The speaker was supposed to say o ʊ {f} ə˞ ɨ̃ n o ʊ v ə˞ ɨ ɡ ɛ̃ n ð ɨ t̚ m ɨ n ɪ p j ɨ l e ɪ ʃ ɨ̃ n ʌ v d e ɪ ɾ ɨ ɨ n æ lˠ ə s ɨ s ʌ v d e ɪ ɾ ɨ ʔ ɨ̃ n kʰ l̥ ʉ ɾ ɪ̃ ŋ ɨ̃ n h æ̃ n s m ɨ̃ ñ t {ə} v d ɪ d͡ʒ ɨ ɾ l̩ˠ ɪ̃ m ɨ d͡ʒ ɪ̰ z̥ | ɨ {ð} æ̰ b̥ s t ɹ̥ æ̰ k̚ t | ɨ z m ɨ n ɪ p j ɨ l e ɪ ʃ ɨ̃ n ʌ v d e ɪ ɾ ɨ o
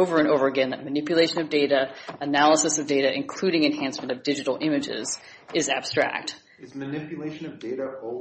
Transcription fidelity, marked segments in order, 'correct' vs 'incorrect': incorrect: v, incorrect: ʌ, incorrect: z

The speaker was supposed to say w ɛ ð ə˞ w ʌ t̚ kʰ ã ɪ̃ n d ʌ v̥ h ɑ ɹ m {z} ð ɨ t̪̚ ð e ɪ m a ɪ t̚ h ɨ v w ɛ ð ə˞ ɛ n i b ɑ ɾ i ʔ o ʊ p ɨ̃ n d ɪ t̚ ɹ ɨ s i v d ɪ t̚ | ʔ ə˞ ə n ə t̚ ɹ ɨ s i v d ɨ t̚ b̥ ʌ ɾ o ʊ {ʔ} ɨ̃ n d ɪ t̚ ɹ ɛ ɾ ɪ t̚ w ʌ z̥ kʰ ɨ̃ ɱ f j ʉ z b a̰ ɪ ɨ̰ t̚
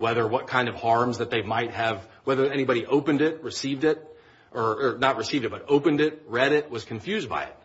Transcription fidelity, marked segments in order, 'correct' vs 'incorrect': correct, incorrect: p

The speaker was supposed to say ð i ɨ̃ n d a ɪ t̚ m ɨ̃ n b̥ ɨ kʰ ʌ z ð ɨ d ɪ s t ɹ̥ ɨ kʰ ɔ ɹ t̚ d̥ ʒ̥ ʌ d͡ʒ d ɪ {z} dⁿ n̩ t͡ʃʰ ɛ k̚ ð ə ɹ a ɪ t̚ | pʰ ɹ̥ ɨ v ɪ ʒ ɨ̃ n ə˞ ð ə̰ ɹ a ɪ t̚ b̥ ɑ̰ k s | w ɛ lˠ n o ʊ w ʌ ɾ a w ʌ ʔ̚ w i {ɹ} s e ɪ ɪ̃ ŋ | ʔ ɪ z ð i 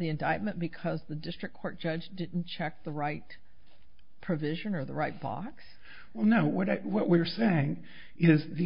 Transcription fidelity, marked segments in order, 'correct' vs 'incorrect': incorrect: none, correct

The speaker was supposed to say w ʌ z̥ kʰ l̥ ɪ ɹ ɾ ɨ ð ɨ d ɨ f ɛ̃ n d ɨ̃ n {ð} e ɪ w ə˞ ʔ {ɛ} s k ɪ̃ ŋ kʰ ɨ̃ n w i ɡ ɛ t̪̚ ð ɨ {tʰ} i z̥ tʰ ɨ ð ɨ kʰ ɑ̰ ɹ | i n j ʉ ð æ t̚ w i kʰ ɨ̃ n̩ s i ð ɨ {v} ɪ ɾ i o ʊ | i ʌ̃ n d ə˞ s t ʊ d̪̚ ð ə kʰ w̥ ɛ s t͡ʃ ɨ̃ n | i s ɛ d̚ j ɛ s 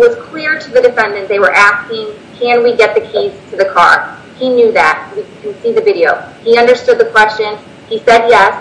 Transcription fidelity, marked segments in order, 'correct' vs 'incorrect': correct, incorrect: æ, incorrect: kʰ, correct

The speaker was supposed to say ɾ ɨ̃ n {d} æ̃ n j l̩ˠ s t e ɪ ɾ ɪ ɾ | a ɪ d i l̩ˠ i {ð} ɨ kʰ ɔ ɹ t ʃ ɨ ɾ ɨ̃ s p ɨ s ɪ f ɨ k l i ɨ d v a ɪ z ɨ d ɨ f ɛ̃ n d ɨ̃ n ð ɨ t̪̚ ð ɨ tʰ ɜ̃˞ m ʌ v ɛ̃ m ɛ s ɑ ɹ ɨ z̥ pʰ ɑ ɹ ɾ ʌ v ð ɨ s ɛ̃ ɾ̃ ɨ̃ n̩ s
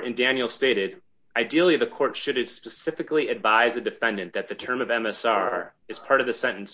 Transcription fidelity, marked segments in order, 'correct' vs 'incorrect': correct, correct

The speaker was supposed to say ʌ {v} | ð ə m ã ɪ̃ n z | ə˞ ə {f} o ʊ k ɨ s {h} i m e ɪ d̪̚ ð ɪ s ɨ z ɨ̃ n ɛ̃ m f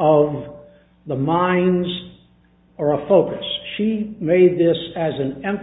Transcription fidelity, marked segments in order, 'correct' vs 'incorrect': correct, correct, incorrect: ʃ

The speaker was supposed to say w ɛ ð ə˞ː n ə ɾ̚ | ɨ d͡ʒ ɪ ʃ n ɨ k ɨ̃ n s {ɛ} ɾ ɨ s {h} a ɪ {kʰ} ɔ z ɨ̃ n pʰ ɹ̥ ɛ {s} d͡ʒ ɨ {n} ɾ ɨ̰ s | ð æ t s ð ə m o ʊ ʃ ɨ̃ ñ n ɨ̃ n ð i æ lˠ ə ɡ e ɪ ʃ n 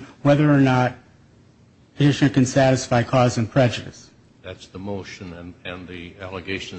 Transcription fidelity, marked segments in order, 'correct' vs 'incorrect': incorrect: æ, incorrect: f, correct, incorrect: none, incorrect: none

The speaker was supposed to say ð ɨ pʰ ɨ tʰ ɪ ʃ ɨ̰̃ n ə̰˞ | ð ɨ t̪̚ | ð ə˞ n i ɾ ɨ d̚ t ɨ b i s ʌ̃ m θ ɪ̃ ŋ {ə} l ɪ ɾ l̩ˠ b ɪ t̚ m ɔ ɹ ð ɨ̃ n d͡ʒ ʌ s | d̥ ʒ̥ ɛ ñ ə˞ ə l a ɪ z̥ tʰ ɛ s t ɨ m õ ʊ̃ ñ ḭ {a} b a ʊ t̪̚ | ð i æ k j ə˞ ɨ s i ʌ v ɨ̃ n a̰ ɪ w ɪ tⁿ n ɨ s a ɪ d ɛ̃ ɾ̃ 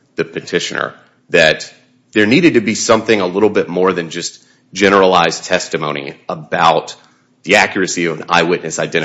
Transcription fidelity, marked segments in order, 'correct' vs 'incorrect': correct, incorrect: ə

